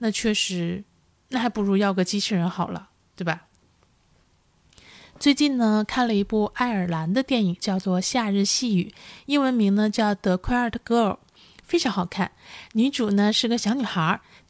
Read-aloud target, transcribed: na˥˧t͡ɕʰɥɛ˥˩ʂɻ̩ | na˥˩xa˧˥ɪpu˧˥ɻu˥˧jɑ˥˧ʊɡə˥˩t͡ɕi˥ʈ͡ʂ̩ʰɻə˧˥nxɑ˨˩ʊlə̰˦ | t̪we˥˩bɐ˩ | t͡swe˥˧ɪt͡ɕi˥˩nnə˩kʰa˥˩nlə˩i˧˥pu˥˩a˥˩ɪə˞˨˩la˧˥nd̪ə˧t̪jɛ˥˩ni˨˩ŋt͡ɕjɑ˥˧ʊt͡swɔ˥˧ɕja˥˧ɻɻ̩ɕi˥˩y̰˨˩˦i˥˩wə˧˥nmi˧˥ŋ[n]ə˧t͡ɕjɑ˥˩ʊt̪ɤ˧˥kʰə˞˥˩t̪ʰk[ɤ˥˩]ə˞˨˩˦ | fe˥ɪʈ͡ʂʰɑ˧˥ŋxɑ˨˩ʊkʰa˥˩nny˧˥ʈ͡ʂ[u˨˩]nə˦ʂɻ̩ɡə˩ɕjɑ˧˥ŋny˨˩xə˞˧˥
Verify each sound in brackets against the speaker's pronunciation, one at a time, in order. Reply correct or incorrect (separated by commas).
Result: correct, incorrect, correct